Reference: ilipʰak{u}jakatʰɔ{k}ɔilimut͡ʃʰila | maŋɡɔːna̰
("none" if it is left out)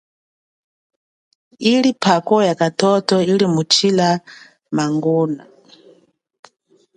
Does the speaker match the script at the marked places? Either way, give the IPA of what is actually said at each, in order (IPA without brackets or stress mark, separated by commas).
ɔ, t